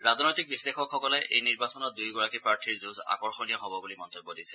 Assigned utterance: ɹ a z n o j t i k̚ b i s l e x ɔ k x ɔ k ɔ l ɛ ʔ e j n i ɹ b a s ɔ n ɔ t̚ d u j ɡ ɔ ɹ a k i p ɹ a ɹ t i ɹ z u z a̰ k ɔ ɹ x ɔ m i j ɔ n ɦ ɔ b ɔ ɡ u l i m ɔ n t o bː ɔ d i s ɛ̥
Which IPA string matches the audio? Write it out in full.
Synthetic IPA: ɹ a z n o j t i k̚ b i s l e x ɔ k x ɔ k ɔ l ɛ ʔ e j n i ɹ b a s ɔ n ɔ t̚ d u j ɡ ɔ ɹ a k i p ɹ a ɹ tʰ i ɹ z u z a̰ k ɔ ɹ x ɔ n i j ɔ ɦ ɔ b ɔ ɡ u l i m ɔ n t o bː ɔ d i s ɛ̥